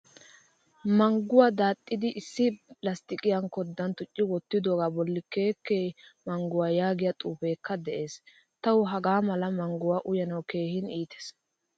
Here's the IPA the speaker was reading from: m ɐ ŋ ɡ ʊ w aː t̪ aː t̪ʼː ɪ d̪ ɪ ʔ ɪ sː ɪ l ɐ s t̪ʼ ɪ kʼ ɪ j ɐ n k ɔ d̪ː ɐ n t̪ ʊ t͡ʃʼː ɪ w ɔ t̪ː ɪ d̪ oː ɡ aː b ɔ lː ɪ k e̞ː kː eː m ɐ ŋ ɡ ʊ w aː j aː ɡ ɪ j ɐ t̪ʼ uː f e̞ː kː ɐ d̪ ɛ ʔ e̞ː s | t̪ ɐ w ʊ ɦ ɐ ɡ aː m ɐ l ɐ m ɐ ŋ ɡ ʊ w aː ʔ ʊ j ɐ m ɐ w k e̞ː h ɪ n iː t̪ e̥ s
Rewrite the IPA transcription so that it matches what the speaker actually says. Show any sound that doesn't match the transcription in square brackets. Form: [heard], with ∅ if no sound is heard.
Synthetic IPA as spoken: m ɐ ŋ ɡ ʊ w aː [d̪] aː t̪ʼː ɪ d̪ ɪ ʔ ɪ sː ɪ l ɐ s [t̪] ɪ kʼ ɪ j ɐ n k ɔ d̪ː ɐ n t̪ ʊ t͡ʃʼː ɪ w ɔ t̪ː ɪ d̪ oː ɡ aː b ɔ lː ɪ k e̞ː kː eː m ɐ ŋ ɡ ʊ w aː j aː ɡ ɪ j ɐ t̪ʼ uː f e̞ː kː ɐ d̪ ɛ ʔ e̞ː s | t̪ ɐ w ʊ ɦ ɐ ɡ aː m ɐ l ɐ m ɐ ŋ ɡ ʊ w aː ʔ ʊ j ɐ [n] ɐ w k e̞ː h ɪ n iː t̪ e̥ s